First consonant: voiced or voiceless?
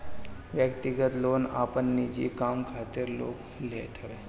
voiced